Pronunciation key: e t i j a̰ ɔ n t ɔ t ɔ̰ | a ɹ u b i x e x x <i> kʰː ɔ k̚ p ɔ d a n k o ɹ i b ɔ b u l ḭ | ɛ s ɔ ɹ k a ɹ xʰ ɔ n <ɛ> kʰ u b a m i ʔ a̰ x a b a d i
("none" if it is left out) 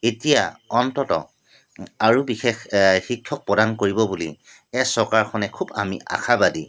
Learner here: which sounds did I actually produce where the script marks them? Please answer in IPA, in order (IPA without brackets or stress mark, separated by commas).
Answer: i, ɛ